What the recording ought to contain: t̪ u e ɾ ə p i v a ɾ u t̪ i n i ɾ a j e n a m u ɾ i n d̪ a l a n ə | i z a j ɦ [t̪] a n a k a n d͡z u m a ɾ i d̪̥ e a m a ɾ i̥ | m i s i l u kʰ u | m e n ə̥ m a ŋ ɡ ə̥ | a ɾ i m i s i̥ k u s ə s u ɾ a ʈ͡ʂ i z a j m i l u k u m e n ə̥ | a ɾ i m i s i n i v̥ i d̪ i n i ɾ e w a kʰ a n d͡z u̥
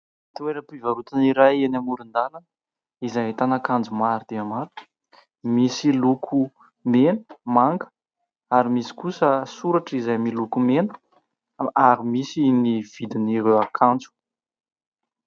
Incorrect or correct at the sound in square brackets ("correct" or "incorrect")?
correct